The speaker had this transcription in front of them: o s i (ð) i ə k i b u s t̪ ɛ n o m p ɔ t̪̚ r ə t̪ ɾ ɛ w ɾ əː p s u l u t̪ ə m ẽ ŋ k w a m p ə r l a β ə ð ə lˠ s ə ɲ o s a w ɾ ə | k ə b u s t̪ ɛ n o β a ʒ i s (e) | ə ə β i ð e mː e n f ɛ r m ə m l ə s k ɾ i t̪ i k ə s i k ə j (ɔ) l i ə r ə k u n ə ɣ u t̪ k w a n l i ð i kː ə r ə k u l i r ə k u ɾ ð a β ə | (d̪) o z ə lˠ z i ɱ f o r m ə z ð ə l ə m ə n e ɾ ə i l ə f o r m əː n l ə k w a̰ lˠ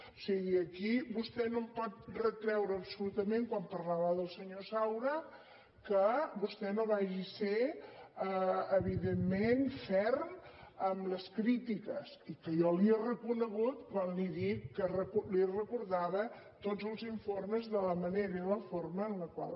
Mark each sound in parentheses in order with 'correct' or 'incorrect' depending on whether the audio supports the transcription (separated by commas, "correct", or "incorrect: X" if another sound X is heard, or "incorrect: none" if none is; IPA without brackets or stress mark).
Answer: incorrect: ɣ, correct, correct, incorrect: t̪